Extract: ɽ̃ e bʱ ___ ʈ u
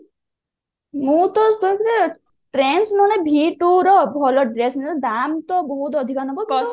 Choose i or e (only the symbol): i